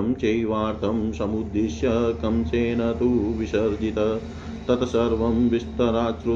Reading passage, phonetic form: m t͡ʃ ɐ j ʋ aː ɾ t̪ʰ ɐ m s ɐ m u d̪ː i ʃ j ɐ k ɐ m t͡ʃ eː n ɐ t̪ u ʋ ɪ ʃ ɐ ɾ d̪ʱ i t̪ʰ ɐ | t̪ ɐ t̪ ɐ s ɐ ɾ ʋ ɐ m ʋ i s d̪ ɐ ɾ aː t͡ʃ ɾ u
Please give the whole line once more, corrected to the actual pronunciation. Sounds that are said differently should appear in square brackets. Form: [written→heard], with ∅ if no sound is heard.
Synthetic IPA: m t͡ʃ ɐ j ʋ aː ɾ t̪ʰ ɐ m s ɐ m u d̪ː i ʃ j ɐ k ɐ m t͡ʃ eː n ɐ t̪ u ʋ [ɪ→i] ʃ ɐ ɾ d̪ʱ i [t̪ʰ→t̪] ɐ | t̪ ɐ t̪ ɐ s ɐ ɾ ʋ ɐ m ʋ i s [d̪→t̪] ɐ ɾ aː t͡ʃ ɾ u